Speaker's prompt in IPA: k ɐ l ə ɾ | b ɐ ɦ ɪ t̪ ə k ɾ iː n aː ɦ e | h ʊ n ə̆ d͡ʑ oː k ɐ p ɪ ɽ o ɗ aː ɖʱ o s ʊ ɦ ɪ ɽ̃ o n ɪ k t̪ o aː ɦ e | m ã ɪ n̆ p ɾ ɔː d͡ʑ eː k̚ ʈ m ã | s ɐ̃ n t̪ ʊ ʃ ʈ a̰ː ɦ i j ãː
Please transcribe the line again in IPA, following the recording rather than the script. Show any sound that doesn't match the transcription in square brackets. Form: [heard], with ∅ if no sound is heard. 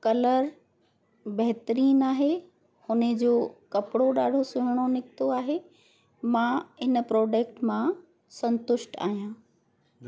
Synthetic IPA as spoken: k ɐ l ə ɾ | b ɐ ɦ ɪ t̪ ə [∅] ɾ iː n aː ɦ e | h ʊ n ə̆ d͡ʑ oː k ɐ p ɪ ɽ o ɗ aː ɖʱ o s ʊ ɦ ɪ ɽ̃ o n ɪ k t̪ o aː ɦ e | m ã ɪ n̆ p ɾ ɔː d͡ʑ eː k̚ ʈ m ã | s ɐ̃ n t̪ ʊ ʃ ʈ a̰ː ɦ i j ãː